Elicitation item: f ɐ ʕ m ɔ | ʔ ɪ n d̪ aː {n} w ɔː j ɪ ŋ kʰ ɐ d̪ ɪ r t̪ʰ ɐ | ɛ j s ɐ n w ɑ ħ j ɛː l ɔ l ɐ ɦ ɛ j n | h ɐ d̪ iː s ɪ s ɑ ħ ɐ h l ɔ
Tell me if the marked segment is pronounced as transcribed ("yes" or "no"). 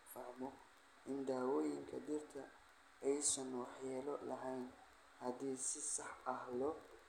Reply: no